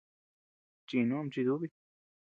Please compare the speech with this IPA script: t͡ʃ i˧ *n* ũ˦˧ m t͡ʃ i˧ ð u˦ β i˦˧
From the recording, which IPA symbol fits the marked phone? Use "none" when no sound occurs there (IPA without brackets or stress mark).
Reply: n